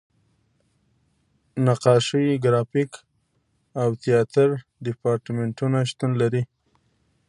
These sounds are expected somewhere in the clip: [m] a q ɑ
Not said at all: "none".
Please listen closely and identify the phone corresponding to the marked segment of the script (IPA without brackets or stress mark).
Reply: n